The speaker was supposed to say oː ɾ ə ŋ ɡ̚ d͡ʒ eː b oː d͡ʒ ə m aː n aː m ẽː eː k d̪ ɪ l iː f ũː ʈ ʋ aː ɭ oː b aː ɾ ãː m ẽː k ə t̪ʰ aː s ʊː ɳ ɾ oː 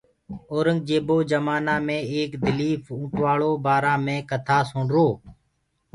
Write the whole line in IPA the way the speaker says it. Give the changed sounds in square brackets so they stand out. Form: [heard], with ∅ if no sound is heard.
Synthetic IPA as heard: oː ɾ ə ŋ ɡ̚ d͡ʒ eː b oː d͡ʒ ə m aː n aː m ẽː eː k d̪ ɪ l iː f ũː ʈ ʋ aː ɭ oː b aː ɾ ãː m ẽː k ə t̪ʰ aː s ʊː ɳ ɾ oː